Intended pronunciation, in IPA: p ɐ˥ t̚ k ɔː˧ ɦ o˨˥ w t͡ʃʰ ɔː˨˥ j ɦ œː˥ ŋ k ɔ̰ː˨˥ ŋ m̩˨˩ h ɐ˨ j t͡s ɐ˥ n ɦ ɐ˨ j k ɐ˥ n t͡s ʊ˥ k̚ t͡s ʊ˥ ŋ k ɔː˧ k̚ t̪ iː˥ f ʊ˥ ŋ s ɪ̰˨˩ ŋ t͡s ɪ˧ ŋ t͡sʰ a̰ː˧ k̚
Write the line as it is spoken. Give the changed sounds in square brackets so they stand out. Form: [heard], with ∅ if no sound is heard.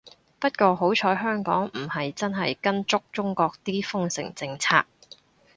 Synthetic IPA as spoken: p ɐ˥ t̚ k ɔː˧ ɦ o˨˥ w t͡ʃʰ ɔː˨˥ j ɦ œː˥ ŋ k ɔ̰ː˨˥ ŋ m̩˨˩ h ɐ˨ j t͡s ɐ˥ n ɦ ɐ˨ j k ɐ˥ n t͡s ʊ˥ k̚ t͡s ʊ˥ ŋ k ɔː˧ k̚ t̪ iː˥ f ʊ˥ ŋ s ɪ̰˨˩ ŋ t͡s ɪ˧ ŋ t͡sʰ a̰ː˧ k̚